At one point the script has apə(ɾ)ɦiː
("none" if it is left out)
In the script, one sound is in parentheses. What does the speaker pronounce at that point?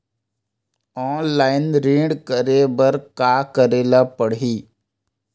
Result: ɽ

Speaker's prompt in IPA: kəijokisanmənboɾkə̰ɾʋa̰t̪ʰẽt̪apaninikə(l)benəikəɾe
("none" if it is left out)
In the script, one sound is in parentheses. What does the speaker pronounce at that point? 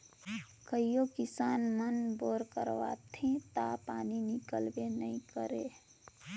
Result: l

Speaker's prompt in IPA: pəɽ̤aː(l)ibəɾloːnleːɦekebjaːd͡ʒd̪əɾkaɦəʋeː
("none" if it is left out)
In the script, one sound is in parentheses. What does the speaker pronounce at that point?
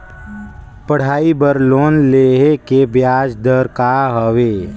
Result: none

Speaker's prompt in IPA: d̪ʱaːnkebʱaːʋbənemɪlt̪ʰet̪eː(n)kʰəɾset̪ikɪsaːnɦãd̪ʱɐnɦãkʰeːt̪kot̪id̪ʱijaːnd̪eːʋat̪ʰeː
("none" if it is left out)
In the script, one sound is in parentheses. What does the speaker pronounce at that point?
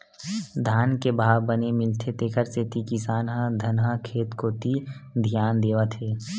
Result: none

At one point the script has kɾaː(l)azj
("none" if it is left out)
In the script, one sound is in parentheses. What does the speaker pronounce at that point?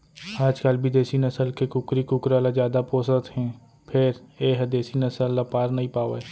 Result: l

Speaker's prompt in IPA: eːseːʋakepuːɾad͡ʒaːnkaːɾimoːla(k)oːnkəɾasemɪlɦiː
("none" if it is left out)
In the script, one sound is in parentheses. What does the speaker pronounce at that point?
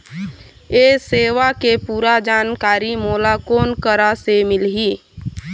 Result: k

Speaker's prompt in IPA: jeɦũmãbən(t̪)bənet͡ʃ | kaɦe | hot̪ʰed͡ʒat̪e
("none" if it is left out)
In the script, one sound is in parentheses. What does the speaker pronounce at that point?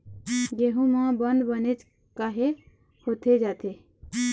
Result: d̪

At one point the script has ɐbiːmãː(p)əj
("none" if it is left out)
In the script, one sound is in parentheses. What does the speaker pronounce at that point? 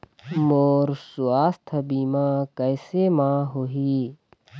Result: k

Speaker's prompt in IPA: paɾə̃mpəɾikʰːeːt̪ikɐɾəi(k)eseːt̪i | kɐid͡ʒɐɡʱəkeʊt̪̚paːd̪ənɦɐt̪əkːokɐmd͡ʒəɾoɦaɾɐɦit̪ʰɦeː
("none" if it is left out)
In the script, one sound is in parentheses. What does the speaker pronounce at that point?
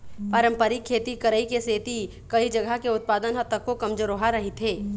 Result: k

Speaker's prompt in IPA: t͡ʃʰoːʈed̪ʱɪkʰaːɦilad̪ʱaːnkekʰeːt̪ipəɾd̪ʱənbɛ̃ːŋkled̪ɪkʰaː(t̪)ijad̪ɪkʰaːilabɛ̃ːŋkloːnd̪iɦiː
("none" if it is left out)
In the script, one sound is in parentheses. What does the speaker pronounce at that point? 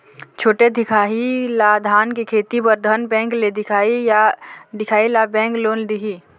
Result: none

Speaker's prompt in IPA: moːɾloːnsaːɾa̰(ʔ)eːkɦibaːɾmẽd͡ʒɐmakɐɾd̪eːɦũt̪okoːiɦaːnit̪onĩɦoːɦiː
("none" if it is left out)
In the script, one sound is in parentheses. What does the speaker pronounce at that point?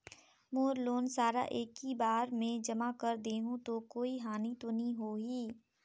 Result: ʔ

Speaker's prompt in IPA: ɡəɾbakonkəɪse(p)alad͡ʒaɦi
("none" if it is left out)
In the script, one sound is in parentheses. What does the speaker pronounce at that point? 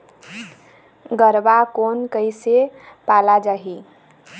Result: p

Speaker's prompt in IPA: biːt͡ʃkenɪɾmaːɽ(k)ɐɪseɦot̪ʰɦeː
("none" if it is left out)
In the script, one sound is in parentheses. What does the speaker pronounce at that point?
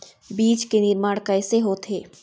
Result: k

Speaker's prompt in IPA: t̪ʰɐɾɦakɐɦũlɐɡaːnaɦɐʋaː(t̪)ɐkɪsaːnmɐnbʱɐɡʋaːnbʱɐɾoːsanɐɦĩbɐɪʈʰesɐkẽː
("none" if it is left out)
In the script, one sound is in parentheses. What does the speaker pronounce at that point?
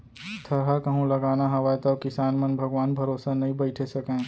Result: t̪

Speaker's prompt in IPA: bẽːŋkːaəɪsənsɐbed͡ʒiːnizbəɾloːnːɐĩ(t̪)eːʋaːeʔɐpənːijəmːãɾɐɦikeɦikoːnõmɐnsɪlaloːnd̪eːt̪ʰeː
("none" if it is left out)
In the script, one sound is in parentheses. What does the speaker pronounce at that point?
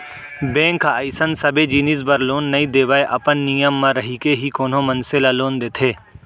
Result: d̪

